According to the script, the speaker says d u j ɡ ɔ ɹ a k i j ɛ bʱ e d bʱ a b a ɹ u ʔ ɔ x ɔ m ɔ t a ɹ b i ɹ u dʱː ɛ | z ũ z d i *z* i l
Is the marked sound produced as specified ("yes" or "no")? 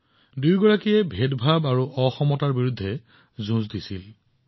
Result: no